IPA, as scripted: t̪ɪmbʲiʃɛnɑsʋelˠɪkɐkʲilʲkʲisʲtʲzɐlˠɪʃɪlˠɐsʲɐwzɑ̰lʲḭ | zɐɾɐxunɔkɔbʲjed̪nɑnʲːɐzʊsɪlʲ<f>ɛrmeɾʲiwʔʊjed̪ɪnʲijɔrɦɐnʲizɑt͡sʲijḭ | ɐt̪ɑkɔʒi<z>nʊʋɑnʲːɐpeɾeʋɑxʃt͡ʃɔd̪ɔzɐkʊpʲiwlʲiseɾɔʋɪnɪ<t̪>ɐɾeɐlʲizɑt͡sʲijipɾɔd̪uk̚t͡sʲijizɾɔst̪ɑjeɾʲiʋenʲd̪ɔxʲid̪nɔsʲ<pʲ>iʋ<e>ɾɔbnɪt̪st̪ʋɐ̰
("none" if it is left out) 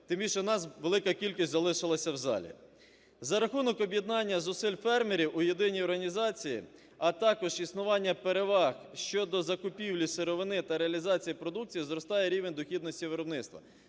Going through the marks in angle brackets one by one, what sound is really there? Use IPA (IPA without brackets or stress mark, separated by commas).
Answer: f, s, t̪, tʲ, e